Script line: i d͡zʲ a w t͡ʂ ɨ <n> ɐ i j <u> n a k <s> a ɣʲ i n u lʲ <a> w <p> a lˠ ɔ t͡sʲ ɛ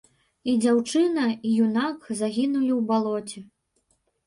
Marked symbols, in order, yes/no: yes, yes, no, no, no

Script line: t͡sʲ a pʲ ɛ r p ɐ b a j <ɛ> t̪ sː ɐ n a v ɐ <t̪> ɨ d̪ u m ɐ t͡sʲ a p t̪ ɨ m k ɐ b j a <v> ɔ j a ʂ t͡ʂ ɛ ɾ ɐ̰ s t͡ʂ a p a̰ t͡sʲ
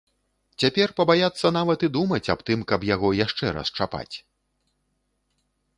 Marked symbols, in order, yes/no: no, yes, no

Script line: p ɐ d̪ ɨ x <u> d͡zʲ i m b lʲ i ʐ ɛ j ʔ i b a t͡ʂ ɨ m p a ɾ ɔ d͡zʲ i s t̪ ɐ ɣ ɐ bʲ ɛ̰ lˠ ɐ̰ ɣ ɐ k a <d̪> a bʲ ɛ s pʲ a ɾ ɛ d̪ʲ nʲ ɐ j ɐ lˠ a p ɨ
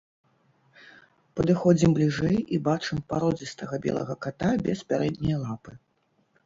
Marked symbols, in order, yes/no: no, no

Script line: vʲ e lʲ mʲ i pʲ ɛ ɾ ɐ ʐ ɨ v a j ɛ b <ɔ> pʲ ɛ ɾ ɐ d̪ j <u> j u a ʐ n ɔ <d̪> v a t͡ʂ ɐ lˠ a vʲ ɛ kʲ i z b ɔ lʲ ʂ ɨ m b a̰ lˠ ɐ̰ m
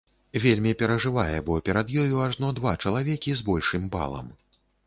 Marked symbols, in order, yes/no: yes, no, yes

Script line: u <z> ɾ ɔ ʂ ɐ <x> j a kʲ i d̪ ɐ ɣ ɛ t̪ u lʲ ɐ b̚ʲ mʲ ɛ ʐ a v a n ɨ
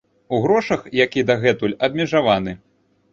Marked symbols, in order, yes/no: no, yes

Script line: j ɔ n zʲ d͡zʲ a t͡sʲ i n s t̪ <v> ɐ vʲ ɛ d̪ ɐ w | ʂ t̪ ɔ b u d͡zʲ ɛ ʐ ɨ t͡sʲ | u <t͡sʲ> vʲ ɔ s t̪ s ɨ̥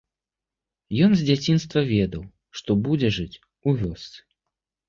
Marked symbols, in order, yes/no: yes, no

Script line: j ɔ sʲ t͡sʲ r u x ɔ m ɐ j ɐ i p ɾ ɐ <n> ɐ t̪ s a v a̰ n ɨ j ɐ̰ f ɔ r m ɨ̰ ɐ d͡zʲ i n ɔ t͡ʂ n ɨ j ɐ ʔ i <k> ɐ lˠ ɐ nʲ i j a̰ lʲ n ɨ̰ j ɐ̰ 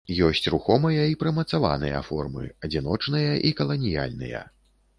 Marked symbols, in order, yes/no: no, yes

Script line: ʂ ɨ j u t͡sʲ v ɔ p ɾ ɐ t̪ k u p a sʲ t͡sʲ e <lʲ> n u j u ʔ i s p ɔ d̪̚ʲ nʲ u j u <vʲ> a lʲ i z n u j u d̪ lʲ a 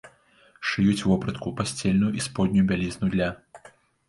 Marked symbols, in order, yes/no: yes, no

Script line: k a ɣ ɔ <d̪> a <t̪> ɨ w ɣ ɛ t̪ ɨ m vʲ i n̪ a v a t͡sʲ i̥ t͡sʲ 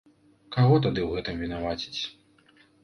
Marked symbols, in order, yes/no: no, no

